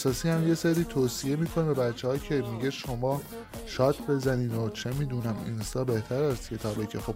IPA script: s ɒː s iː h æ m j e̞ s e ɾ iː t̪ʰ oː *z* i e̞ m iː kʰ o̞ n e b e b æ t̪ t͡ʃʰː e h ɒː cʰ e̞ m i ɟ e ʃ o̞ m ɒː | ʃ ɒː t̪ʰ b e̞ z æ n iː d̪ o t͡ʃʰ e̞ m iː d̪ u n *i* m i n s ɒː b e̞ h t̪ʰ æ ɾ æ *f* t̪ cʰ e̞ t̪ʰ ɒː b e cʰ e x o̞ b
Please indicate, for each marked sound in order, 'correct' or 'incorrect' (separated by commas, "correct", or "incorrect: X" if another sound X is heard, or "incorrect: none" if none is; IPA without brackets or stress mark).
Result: incorrect: s, incorrect: æ, incorrect: s